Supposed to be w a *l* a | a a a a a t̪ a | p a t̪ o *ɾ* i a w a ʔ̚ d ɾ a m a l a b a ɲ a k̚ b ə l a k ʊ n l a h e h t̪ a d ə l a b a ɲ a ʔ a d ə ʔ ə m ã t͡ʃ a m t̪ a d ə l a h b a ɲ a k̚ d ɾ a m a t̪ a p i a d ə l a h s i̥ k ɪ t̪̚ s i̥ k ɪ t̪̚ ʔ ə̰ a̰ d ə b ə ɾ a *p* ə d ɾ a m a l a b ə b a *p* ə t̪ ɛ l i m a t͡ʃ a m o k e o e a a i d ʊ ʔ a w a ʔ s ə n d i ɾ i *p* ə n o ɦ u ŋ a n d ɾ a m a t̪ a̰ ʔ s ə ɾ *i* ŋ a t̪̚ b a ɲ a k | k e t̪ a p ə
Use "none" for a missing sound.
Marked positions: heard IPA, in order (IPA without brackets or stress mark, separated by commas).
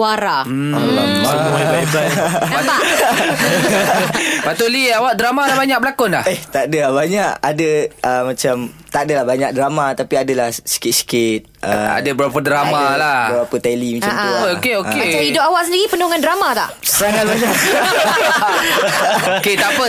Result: ɾ, l, p, p, p, a